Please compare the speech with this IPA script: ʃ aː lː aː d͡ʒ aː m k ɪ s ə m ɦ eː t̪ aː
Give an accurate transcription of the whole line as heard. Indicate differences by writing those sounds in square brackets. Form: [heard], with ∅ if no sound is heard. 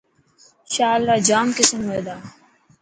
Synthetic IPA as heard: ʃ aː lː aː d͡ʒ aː m k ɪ s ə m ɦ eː [d̪] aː